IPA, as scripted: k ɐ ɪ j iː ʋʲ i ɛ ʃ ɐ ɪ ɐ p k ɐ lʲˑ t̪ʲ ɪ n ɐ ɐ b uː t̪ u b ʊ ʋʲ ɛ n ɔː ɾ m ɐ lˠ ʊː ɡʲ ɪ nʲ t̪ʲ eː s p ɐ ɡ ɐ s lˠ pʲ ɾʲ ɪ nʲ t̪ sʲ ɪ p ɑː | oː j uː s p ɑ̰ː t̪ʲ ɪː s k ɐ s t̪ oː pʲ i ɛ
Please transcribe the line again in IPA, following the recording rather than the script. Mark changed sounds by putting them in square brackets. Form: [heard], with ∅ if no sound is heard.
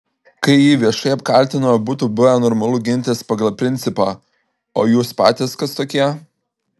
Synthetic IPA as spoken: k ɐ ɪ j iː ʋʲ i ɛ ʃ ɐ ɪ ɐ p k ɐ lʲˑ t̪ʲ ɪ n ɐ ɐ b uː t̪ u b ʊ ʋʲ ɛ n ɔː ɾ m ɐ lˠ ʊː ɡʲ ɪ nʲ t̪ʲ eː s p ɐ ɡ ɐ [∅] lˠ pʲ ɾʲ ɪ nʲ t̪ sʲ ɪ p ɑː | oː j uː s p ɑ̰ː t̪ʲ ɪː s k ɐ s t̪ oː [kʲ] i ɛ